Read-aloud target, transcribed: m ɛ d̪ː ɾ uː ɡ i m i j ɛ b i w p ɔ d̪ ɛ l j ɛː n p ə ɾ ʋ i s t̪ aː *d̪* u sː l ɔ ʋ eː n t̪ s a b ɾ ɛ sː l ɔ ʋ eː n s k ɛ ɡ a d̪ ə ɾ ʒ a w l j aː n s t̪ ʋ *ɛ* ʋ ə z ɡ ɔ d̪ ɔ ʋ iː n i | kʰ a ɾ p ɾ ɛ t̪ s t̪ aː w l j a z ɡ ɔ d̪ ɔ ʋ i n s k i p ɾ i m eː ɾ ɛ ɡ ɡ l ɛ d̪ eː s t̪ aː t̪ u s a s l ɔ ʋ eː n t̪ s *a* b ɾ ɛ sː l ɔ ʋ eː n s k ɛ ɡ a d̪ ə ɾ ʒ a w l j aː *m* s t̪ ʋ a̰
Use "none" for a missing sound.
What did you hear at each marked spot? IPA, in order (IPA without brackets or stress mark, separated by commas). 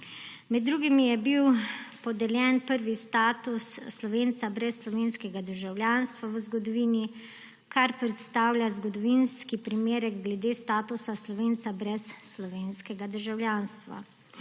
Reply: t̪, a, a, n